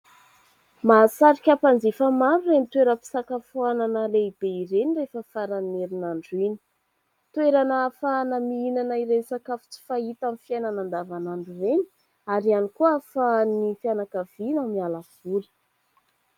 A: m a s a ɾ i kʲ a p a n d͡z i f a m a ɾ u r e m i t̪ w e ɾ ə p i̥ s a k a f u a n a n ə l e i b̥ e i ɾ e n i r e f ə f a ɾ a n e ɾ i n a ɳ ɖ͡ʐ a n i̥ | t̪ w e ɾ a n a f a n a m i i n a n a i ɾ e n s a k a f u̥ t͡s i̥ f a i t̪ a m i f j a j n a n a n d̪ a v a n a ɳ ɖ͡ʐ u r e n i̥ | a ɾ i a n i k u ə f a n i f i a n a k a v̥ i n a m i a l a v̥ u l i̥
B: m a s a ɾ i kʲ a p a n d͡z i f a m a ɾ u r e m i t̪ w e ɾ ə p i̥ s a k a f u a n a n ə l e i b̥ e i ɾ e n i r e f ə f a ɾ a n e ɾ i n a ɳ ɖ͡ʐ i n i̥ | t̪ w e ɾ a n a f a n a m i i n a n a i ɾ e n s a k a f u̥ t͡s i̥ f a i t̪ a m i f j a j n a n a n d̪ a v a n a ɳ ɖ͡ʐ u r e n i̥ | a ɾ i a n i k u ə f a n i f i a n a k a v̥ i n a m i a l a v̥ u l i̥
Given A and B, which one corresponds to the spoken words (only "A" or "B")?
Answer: B